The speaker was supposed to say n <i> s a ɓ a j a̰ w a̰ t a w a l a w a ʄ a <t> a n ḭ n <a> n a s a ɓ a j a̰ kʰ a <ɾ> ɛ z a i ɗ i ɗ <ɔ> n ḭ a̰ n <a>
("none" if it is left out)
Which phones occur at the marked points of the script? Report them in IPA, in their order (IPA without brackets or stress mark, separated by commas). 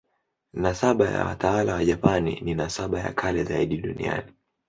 a, p, i, l, u, i